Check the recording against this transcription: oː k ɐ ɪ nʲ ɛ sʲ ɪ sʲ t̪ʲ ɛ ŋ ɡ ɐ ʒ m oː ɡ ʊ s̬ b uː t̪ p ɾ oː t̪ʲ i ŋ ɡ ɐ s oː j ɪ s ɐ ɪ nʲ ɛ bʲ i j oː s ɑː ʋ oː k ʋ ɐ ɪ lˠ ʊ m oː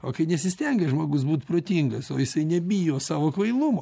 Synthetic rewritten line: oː k ɐ ɪ nʲ ɛ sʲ ɪ sʲ t̪ʲ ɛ ŋ ɡ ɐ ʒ m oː ɡ ʊ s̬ b uː t̪ p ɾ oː t̪ʲ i ŋ ɡ ɐ s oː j ɪ s ɐ ɪ nʲ ɛ bʲ i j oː s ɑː ʋ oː k ʋ ɐ ɪ lˠ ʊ m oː

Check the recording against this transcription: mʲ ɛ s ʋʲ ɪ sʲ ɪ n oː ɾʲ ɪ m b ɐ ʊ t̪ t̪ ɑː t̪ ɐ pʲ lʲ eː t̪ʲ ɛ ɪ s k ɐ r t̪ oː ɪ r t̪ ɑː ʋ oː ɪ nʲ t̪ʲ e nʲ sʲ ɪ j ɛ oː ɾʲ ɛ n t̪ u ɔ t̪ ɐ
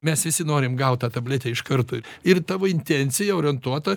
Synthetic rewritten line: mʲ ɛ s ʋʲ ɪ sʲ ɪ n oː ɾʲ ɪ m ɡ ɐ ʊ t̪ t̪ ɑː t̪ ɐ bʲ lʲ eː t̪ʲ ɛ ɪ ʃ k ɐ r t̪ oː ɪ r t̪ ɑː ʋ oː ɪ nʲ t̪ʲ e nʲ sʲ ɪ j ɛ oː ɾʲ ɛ n t̪ u ɔ t̪ ɐ

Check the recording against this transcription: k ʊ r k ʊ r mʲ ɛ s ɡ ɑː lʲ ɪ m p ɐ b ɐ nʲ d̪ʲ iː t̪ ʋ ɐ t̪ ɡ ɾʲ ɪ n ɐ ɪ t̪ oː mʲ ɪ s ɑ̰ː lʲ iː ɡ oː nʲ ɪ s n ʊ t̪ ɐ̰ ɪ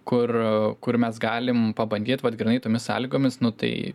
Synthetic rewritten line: k ʊ r k ʊ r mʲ ɛ s ɡ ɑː lʲ ɪ m p ɐ b ɐ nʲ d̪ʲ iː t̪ ʋ ɐ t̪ ɡ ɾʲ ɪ n ɐ ɪ t̪ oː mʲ ɪ s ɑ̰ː lʲ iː ɡ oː mʲ ɪ s n ʊ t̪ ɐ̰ ɪ

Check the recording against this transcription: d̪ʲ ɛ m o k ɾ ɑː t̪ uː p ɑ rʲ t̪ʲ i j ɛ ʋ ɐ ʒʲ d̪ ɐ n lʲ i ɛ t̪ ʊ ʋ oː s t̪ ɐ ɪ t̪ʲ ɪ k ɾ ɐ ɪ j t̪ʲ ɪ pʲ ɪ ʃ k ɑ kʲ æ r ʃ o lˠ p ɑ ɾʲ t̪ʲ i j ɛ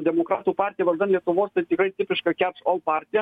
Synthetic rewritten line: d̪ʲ ɛ m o k ɾ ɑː t̪ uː p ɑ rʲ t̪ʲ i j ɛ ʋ ɐ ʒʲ d̪ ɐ n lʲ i ɛ t̪ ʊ ʋ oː s t̪ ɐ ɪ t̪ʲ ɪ k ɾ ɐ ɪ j t̪ʲ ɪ pʲ ɪ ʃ k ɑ kʲ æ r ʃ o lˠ p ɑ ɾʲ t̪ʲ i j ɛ

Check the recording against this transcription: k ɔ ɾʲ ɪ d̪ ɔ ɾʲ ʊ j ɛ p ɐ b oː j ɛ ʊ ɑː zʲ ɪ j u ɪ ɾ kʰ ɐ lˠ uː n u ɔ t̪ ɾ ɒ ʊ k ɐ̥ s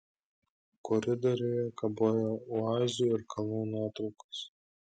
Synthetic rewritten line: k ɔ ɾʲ ɪ d̪ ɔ ɾʲ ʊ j ɛ k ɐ b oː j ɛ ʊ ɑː zʲ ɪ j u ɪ ɾ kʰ ɐ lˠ uː n u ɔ t̪ ɾ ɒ ʊ k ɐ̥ s

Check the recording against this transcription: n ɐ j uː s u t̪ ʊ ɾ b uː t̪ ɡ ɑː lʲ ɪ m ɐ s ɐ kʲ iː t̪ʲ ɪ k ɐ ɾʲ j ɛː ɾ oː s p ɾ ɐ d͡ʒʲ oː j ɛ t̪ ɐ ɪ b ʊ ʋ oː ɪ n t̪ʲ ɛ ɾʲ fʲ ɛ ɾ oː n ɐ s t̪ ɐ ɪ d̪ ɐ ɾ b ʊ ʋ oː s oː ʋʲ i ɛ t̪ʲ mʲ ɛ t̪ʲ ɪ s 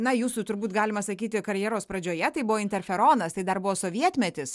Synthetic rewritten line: n ɐ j uː s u t̪ ʊ ɾ b uː t̪ ɡ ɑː lʲ ɪ m ɐ s ɐ kʲ iː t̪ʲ ɪ k ɐ ɾʲ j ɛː ɾ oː s p ɾ ɐ d͡ʒʲ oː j ɛ t̪ ɐ ɪ b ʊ ʋ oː ɪ n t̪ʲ ɛ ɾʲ fʲ ɛ ɾ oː n ɐ s t̪ ɐ ɪ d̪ ɐ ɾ b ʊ ʋ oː s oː ʋʲ i ɛ t̪ʲ mʲ ɛ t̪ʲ ɪ s

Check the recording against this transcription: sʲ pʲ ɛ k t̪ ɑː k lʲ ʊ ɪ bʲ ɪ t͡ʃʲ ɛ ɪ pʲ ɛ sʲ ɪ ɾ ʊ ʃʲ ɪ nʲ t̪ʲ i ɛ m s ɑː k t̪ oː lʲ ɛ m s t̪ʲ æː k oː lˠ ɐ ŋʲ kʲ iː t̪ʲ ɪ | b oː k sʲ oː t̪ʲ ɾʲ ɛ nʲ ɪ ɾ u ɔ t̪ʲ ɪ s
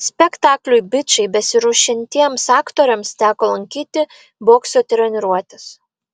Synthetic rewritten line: sʲ pʲ ɛ k t̪ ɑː k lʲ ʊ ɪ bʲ ɪ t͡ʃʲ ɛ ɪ bʲ ɛ sʲ ɪ ɾ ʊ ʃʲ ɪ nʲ t̪ʲ i ɛ m s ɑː k t̪ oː ɾʲ ɛ m s t̪ʲ æː k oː lˠ ɐ ŋʲ kʲ iː t̪ʲ ɪ | b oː k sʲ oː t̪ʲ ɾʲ ɛ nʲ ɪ ɾ u ɔ t̪ʲ ɪ s

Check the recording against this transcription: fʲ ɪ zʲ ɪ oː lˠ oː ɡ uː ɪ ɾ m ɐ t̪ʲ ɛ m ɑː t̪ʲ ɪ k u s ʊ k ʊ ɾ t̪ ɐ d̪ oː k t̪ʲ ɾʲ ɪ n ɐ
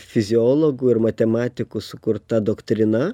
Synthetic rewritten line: fʲ ɪ zʲ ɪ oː lˠ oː ɡ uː ɪ ɾ m ɐ t̪ʲ ɛ m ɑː t̪ʲ ɪ k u s ʊ k ʊ ɾ t̪ ɐ d̪ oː k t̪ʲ ɾʲ ɪ n ɐ

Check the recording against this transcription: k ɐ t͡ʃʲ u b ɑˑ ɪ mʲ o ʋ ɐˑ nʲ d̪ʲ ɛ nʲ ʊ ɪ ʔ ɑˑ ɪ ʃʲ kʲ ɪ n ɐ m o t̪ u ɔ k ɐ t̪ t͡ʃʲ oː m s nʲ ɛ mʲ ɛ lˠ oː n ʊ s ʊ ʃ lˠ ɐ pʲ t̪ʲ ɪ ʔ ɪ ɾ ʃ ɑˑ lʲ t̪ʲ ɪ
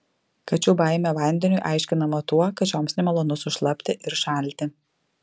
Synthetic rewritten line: k ɐ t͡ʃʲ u b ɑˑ ɪ mʲ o ʋ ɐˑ nʲ d̪ʲ ɛ nʲ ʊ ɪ ʔ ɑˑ ɪ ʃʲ kʲ ɪ n ɐ m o t̪ u ɔ k ɐ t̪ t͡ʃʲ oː m s nʲ ɛ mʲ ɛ lˠ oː n ʊ s ʊ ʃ lˠ ɐ pʲ t̪ʲ ɪ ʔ ɪ ɾ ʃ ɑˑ lʲ t̪ʲ ɪ

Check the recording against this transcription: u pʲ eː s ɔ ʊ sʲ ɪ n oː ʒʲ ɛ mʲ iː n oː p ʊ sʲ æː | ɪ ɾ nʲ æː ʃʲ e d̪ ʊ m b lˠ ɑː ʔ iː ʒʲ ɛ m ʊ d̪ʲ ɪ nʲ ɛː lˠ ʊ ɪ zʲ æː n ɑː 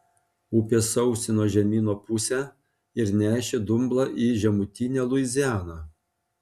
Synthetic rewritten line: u pʲ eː s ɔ ʊ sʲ ɪ n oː ʒʲ ɛ mʲ iː n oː p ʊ sʲ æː | ɪ ɾ nʲ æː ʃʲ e d̪ ʊ m b lˠ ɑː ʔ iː ʒʲ ɛ m ʊ t̪ʲ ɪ nʲ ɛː lˠ ʊ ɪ zʲ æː n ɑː

